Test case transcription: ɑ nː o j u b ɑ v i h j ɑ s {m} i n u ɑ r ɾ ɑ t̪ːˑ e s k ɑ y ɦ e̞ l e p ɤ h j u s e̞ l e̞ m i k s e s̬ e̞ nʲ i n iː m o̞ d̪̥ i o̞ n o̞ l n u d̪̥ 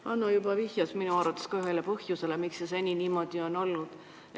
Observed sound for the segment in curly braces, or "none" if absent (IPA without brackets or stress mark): m